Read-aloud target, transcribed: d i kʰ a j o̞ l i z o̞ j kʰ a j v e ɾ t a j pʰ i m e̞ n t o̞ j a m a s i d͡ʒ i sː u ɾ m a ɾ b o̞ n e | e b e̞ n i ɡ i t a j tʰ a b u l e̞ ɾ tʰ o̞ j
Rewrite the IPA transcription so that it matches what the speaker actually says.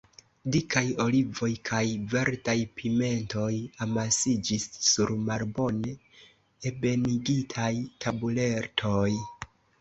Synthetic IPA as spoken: d i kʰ a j o̞ l i v o̞ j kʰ a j v e ɾ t a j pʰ i m e̞ n t o̞ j a m a s i d͡ʒ i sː u ɾ m a ɾ b o̞ n e | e b e̞ n i ɡ i tʰ a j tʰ a b u l e̞ ɾ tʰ o̞ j